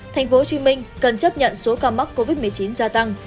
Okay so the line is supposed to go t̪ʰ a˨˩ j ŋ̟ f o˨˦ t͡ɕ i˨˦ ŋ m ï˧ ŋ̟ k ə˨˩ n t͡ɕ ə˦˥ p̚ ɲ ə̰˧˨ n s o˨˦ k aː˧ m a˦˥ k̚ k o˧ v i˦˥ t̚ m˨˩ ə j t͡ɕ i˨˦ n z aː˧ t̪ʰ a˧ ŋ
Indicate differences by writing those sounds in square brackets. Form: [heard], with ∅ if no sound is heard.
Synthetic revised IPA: t̪ʰ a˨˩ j ŋ̟ f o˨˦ t͡ɕ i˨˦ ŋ m ï˧ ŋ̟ k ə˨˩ n t͡ɕ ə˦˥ p̚ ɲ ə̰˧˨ n s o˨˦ k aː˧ m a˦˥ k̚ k o˧ v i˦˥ t̚ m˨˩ ə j t͡ɕ i˨˦ n z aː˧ [t̪] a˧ ŋ